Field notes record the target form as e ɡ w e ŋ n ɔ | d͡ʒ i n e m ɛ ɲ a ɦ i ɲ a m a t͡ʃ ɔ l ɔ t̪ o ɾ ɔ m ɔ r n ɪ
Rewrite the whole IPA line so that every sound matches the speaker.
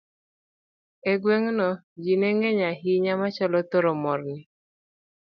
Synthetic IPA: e ɡ w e ŋ n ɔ | d͡ʒ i n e ŋ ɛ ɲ a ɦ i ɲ a m a t͡ʃ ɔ l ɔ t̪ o ɾ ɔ m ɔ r n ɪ